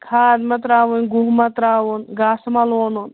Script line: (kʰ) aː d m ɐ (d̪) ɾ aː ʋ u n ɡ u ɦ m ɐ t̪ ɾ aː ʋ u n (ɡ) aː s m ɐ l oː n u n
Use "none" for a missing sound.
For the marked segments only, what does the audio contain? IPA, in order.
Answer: kʰ, t̪, ɡ

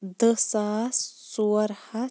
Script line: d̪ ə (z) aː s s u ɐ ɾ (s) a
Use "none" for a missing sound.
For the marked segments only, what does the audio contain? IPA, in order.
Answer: s, h

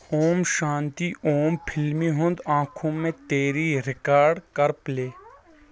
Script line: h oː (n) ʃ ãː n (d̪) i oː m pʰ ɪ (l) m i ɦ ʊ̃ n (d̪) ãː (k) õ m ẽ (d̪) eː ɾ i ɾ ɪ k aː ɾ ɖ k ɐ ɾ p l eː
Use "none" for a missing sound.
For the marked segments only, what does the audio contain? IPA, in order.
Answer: m, t̪, l, d̪, kʰ, t̪

